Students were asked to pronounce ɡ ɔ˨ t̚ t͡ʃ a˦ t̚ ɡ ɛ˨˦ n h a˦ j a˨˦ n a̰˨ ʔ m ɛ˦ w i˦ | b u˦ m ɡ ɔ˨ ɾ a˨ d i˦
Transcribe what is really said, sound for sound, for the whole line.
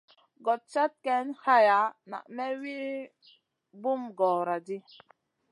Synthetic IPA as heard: ɡ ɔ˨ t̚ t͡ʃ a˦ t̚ k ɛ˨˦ n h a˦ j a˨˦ n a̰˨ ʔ m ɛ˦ w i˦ | b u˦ m ɡ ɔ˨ ɾ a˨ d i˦